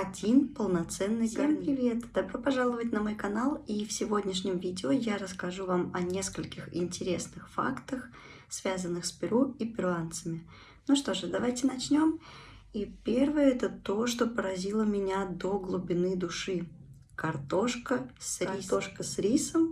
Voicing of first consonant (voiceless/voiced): voiced